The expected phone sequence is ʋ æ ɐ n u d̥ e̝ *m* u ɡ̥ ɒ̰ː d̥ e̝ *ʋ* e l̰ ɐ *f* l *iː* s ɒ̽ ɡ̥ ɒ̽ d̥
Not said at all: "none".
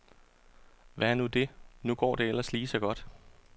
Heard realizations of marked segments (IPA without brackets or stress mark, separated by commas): n, none, s, iː